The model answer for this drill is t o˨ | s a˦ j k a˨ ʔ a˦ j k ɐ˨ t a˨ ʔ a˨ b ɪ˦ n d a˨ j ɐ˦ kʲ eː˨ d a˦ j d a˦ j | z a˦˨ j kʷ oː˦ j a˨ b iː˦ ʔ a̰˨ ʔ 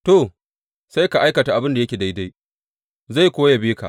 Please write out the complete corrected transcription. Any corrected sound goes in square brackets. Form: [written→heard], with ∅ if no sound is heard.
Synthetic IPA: t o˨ | s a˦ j k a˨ ʔ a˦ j k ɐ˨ t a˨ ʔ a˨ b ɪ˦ n d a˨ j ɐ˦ kʲ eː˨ d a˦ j d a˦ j | z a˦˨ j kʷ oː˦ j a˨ b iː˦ [ʔ→k] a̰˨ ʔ